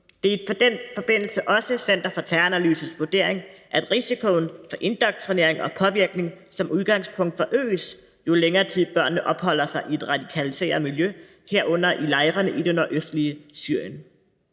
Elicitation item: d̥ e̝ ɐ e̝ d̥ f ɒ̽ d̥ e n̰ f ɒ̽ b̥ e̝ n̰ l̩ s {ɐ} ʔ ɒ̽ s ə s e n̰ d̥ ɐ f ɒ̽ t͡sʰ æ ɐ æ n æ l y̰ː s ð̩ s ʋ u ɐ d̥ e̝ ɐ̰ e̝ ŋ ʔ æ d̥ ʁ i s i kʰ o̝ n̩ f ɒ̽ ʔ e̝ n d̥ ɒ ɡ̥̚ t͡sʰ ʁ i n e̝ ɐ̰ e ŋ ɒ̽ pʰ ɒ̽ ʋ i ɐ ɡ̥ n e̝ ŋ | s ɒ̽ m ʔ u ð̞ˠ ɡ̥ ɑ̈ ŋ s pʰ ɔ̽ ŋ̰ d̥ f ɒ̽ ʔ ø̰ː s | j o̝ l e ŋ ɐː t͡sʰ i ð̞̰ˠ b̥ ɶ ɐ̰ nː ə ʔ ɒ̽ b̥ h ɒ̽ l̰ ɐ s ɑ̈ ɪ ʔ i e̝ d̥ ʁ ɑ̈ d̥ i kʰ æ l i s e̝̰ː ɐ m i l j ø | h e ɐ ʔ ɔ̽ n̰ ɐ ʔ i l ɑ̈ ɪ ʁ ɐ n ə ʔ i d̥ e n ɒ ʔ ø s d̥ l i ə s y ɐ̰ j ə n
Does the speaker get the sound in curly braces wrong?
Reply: yes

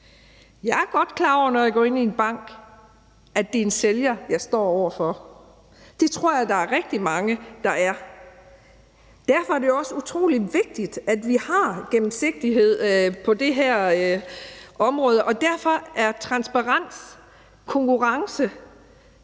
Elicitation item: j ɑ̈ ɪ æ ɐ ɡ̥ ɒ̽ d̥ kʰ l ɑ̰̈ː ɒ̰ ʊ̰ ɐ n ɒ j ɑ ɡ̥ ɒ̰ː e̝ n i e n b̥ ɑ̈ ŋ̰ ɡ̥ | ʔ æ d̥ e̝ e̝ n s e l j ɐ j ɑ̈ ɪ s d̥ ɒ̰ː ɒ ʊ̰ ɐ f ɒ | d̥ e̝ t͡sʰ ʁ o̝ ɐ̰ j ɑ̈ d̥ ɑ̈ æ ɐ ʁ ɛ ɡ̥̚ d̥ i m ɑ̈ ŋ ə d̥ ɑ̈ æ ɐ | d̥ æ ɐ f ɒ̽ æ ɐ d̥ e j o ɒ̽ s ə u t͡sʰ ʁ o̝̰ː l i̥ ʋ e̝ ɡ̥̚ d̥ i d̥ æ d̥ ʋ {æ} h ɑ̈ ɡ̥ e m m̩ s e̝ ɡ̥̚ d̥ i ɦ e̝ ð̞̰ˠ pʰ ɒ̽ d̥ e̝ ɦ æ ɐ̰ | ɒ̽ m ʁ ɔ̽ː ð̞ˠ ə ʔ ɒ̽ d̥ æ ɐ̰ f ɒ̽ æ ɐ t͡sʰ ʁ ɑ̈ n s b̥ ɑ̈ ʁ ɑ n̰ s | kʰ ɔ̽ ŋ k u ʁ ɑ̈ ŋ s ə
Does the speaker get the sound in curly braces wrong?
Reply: yes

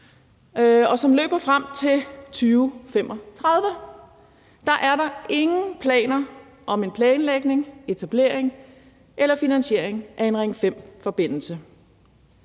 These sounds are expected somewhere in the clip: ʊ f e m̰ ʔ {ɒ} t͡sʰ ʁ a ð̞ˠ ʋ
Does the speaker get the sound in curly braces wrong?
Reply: no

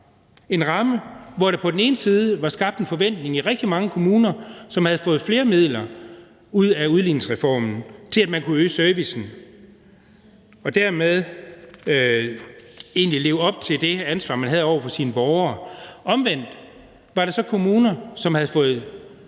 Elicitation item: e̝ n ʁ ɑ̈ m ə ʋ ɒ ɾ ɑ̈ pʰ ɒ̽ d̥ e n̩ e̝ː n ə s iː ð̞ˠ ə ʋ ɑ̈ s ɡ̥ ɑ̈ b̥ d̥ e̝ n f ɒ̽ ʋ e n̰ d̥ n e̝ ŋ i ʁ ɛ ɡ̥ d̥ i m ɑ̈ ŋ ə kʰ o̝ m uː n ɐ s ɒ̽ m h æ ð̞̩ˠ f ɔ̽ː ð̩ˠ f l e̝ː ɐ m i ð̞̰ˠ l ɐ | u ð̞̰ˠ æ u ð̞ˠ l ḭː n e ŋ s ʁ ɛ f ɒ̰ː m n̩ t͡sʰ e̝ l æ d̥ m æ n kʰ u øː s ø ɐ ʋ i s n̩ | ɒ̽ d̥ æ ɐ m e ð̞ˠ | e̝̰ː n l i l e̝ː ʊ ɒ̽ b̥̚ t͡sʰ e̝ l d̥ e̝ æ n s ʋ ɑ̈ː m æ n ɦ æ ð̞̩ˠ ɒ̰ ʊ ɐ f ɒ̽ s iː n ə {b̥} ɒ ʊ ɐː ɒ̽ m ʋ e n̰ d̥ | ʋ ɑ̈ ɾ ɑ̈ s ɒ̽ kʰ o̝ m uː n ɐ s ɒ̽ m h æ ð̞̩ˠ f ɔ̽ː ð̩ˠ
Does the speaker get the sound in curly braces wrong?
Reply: no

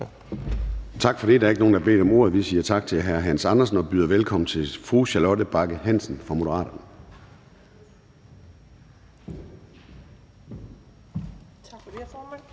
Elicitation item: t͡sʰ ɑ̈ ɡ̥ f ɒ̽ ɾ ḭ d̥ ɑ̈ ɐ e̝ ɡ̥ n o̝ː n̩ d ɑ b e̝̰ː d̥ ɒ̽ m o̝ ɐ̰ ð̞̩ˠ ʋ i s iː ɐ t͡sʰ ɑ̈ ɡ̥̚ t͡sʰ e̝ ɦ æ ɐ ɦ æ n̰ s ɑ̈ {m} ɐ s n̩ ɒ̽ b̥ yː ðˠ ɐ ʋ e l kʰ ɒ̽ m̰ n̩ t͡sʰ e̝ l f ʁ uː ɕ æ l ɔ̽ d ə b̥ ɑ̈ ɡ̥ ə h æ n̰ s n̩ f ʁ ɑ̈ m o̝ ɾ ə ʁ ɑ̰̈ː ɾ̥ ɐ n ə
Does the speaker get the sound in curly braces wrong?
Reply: yes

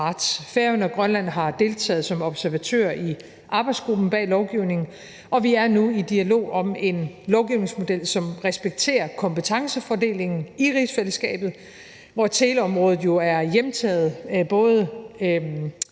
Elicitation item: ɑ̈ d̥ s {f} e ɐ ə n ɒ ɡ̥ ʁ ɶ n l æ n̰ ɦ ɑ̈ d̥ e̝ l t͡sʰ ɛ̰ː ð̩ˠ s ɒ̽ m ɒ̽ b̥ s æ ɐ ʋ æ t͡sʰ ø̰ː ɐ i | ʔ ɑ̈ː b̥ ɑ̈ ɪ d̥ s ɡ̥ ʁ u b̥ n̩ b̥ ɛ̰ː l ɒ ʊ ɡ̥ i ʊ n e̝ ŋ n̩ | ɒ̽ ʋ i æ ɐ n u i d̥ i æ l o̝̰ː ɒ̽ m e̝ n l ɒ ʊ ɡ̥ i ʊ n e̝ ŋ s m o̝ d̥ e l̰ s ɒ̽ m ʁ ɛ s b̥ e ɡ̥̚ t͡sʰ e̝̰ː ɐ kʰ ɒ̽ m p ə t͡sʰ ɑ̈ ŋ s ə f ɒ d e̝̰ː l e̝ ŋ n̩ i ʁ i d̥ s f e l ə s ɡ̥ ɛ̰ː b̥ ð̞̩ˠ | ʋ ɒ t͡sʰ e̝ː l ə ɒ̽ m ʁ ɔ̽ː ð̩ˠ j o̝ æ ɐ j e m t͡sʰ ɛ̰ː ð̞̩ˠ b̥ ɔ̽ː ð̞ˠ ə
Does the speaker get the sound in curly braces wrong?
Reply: no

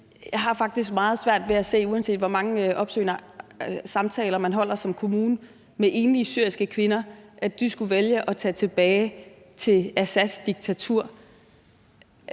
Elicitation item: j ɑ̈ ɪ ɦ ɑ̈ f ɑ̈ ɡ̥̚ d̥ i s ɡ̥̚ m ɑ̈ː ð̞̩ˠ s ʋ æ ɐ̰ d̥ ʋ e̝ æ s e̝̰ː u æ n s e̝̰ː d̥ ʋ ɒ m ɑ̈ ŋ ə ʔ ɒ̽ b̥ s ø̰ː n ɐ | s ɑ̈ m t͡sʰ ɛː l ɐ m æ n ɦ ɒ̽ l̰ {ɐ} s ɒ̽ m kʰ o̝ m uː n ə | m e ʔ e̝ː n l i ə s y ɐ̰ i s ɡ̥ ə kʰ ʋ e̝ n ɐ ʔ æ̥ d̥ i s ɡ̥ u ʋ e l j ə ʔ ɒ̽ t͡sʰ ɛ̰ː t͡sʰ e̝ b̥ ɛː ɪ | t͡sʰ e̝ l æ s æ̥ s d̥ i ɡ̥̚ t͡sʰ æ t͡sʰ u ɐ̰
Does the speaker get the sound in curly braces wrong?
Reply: no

